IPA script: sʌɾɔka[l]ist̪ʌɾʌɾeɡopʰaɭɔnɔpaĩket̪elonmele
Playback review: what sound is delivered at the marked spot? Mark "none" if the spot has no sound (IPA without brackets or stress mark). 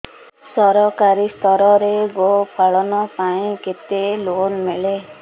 ɾ